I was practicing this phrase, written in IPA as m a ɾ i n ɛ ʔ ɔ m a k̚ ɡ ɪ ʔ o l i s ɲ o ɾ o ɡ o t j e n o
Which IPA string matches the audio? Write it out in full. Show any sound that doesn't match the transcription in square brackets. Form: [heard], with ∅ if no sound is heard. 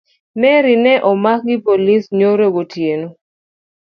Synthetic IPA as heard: m [ɛ] ɾ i n ɛ ʔ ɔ m a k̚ ɡ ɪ [p] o l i s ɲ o ɾ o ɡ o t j e n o